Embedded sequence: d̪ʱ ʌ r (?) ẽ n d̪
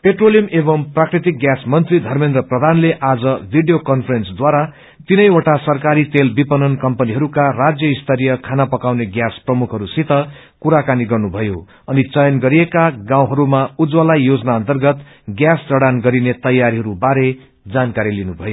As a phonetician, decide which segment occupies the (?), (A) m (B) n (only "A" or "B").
A